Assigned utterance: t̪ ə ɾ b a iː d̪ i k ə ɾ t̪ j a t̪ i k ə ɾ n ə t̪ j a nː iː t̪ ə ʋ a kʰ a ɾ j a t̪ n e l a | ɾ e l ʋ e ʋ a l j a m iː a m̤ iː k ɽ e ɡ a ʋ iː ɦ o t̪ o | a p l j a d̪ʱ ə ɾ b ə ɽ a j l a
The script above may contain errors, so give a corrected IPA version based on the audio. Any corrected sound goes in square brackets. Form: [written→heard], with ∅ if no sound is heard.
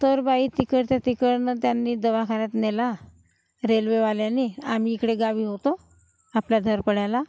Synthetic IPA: t̪ ə ɾ b a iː [d̪→t̪] i k ə ɾ t̪ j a t̪ i k ə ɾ n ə t̪ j a nː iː [t̪→d̪] ə ʋ a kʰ a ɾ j a t̪ n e l a | ɾ e l ʋ e ʋ a l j a [m→n] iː a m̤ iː k ɽ e ɡ a ʋ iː ɦ o t̪ o | a p l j a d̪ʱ ə ɾ [b→p] ə ɽ a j l a